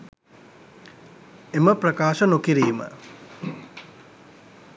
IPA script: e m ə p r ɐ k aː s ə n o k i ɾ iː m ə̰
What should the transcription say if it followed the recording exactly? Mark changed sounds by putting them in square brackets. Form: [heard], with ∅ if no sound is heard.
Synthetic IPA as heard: e m ə p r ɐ k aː [ʃ] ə n o k i ɾ iː m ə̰